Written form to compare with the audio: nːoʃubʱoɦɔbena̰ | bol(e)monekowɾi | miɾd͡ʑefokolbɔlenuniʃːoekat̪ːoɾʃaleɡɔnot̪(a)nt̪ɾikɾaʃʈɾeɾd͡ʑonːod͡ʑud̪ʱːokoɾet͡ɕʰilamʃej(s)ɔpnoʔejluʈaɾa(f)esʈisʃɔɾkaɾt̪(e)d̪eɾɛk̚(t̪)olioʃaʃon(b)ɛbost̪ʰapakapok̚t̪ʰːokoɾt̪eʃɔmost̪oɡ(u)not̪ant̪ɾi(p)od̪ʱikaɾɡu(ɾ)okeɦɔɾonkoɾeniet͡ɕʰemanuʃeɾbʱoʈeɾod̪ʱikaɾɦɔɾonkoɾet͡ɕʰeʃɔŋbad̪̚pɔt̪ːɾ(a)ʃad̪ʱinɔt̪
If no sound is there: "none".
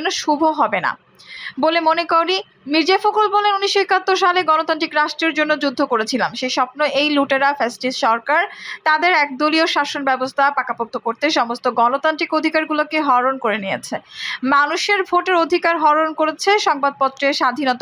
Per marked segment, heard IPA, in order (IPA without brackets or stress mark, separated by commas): e, a, ʃ, f, a, d̪, b, ɔ, k, l, e